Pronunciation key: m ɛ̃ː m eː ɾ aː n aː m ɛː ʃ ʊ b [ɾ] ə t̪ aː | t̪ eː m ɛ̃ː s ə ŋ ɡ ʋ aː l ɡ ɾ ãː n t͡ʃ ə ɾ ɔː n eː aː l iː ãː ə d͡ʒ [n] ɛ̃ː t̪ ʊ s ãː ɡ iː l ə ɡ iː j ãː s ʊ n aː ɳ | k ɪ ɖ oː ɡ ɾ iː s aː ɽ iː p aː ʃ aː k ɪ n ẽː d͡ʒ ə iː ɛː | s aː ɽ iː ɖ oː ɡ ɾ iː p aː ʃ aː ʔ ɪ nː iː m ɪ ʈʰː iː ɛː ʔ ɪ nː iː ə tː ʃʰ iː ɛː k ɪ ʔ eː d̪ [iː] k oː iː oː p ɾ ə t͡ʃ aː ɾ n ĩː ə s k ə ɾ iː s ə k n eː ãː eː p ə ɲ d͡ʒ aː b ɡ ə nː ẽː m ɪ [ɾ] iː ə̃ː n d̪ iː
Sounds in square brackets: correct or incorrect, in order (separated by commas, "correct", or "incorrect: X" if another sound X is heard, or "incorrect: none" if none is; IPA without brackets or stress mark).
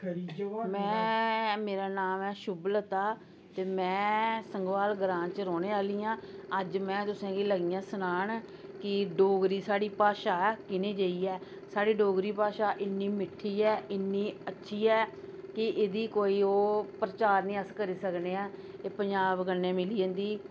incorrect: l, incorrect: m, correct, incorrect: l